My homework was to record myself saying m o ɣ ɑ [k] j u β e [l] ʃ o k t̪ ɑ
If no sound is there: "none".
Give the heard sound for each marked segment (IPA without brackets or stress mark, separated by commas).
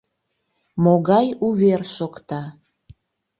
none, r